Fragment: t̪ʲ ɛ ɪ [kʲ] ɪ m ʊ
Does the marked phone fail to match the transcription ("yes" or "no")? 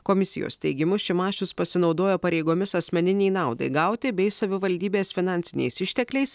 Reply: yes